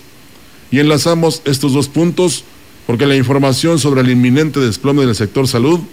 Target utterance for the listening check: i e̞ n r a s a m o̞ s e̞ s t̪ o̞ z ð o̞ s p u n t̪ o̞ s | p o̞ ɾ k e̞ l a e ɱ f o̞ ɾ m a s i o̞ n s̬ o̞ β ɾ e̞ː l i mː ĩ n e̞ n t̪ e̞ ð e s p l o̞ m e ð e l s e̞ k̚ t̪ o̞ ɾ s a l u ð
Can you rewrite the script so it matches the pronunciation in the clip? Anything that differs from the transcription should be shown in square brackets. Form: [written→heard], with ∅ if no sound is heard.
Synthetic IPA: i e̞ n [r→l] a s a m o̞ s e̞ s t̪ o̞ z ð o̞ s p u n t̪ o̞ s | p o̞ ɾ k e̞ l a [e→i] ɱ f o̞ ɾ m a s [i→j] o̞ n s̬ o̞ β ɾ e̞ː l i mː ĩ n e̞ n t̪ e̞ ð e s p l o̞ m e ð e l s e̞ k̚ t̪ o̞ ɾ s a l u ð